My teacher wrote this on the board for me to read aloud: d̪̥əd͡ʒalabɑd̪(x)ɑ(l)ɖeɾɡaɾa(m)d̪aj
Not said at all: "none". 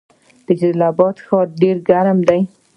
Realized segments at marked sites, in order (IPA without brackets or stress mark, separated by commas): x, ɾ, m